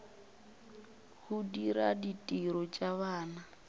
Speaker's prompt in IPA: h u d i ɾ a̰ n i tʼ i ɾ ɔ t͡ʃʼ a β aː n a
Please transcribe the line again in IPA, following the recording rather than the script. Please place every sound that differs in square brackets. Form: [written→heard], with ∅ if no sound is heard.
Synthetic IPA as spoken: h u d i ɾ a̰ [n→d] i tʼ i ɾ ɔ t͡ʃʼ a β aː n a